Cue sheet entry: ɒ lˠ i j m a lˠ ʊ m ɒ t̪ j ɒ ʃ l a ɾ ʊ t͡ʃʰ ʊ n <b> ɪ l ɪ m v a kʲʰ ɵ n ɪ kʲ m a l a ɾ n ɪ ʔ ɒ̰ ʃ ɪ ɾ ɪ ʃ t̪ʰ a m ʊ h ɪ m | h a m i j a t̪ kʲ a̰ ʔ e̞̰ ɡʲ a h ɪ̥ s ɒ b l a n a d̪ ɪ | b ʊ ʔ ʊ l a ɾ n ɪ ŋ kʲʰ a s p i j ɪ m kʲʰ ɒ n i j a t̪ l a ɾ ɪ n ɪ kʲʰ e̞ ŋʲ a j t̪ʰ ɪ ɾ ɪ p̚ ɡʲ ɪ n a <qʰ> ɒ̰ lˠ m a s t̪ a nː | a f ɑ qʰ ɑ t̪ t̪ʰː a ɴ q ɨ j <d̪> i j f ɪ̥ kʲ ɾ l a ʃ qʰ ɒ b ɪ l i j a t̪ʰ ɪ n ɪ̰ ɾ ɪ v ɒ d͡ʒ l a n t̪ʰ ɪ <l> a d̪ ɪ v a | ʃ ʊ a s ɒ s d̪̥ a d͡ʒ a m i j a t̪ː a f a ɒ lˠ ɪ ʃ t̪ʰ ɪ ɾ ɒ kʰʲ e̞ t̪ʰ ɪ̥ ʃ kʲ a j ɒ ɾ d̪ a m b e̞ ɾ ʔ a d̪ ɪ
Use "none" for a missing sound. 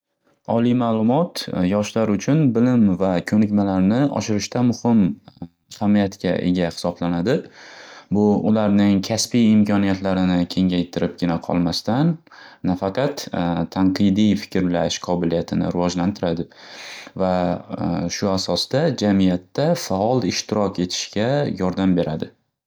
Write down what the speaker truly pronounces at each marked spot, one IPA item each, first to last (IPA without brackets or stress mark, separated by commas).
b, qʰ, d̪, ɾ